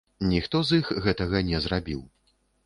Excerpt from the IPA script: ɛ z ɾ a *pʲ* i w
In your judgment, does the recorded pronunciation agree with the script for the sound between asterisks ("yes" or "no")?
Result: no